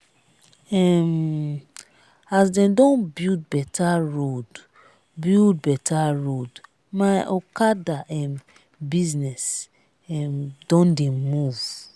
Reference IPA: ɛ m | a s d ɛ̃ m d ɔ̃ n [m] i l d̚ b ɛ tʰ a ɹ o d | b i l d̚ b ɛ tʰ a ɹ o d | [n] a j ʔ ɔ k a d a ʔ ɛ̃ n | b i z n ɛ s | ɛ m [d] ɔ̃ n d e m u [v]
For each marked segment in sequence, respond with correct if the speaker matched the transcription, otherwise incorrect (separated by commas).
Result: incorrect, incorrect, correct, correct